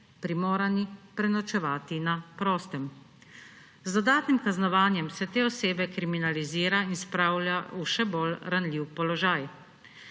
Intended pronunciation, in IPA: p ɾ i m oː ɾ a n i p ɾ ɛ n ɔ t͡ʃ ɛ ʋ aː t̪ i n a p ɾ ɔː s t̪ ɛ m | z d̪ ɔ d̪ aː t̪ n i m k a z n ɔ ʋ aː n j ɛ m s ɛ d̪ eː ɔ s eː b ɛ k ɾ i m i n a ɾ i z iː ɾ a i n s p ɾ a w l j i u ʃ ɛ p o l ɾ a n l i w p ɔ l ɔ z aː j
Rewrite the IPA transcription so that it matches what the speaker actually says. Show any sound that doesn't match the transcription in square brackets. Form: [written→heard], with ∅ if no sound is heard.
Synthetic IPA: p ɾ i m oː ɾ a n i p ɾ ɛ n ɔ t͡ʃ ɛ ʋ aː t̪ i n a p ɾ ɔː s t̪ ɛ m | z d̪ ɔ d̪ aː t̪ n i m k a z n ɔ ʋ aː n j ɛ m s ɛ [d̪→t̪] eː ɔ s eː b ɛ k ɾ i m i n a [ɾ→l] i z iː ɾ a i n s p ɾ a w l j [i→a] u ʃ ɛ [p→b] o l ɾ a n l i w p ɔ l ɔ [z→ʒ] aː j